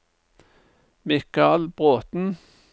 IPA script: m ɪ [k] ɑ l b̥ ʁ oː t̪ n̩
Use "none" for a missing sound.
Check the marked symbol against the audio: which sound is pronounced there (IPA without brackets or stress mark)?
k